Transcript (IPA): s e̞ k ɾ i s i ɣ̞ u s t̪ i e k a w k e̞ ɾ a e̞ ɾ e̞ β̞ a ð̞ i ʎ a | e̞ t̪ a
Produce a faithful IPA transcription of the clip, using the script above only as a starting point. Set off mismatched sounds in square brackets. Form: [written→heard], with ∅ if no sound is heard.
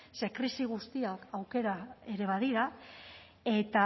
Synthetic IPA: s e̞ k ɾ i s i ɣ̞ u s t̪ i [e→a] k a w k e̞ ɾ a e̞ ɾ e̞ β̞ a ð̞ i [ʎ→ɾ] a | e̞ t̪ a